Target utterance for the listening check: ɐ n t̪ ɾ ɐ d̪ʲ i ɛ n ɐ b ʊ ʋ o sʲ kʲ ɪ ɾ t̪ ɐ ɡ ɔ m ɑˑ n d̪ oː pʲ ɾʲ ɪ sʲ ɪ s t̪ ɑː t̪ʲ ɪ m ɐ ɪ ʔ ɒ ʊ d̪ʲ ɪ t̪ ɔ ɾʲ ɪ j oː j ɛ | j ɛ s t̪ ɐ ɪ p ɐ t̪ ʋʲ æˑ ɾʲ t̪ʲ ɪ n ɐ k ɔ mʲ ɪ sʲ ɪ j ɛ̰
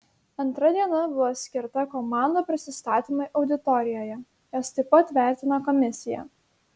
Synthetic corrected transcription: ɐ n t̪ ɾ ɐ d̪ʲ i ɛ n ɐ b ʊ ʋ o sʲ kʲ ɪ ɾ t̪ ɐ k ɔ m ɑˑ n d̪ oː pʲ ɾʲ ɪ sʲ ɪ s t̪ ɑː t̪ʲ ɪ m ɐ ɪ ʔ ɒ ʊ d̪ʲ ɪ t̪ ɔ ɾʲ ɪ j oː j ɛ | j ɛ s t̪ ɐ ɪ p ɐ t̪ ʋʲ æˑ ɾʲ t̪ʲ ɪ n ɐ k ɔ mʲ ɪ sʲ ɪ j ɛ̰